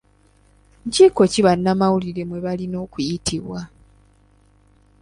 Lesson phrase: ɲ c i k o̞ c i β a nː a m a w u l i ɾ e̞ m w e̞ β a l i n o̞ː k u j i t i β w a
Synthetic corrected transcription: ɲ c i k o̞ c i β a nː a m a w u l i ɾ e̞ m w e̞ β a l i n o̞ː k u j i t i β w a

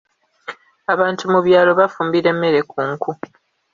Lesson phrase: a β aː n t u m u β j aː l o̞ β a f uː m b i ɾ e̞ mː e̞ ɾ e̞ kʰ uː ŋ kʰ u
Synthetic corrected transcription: a β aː n t u m u β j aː l o̞ β a f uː m b i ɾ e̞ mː e̞ ɾ e̞ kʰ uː ŋ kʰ u

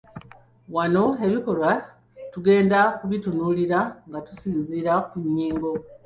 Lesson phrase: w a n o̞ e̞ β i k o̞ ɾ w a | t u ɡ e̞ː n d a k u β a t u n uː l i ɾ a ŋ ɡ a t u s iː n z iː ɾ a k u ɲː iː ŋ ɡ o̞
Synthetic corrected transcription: w a n o̞ e̞ β i k o̞ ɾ w a | t u ɡ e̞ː n d a k u β i t u n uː l i ɾ a ŋ ɡ a t u s iː n z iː ɾ a k u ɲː iː ŋ ɡ o̞

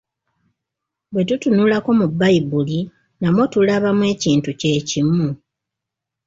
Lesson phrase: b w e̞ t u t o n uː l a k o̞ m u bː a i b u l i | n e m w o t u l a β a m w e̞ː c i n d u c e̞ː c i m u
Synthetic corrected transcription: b w e̞ t u t u n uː l a k o̞ m u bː a i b u l i | n a m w o t u l a β a m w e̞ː c iː n t u c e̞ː c i m u

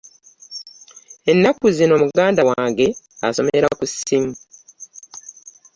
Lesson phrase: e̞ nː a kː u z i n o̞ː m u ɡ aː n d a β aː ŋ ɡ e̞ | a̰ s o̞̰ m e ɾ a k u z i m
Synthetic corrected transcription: e̞ nː a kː u z i n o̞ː m u ɡ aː n d a w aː ŋ ɡ e̞ | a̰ s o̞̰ m e ɾ a k u s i m

